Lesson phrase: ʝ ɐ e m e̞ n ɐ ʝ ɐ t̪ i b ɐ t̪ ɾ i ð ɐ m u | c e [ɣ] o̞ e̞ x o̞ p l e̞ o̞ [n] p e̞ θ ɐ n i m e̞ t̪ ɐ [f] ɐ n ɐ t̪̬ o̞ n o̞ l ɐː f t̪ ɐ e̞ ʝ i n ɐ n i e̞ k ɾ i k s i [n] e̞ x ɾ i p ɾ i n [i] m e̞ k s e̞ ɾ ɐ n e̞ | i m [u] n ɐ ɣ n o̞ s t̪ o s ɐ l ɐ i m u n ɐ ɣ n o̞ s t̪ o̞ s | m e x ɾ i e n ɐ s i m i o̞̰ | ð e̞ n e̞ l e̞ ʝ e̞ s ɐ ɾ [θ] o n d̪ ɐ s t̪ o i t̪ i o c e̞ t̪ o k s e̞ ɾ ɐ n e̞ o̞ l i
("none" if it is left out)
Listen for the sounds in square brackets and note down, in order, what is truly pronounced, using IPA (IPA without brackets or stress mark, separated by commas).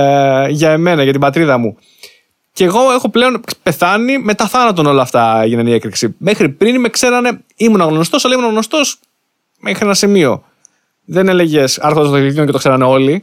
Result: ɣ, n, θ, m, i, u, x